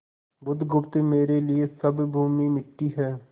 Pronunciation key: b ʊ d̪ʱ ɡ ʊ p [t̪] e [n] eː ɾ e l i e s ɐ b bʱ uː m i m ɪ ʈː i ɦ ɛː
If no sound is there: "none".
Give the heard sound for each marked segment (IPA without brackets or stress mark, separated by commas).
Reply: t̪, m